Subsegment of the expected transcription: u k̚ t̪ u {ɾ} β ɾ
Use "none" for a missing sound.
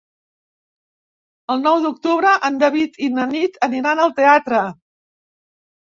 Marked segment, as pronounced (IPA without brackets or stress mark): none